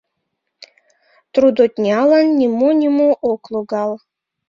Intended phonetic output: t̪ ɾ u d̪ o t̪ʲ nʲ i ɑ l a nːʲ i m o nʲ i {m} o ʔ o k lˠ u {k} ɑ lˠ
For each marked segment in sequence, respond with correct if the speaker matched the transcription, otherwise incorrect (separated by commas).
correct, incorrect